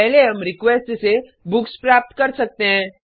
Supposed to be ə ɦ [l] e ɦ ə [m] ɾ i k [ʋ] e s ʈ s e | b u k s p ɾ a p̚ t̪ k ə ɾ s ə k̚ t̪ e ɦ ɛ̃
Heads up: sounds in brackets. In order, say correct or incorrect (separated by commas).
correct, correct, correct